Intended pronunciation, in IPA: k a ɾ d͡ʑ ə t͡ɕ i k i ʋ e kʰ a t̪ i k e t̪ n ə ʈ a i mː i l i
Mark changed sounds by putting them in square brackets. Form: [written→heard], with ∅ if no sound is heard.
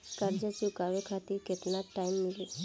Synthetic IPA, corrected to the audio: k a ɾ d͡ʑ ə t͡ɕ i k [i→a] ʋ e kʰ a t̪ i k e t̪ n [ə→a] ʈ a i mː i l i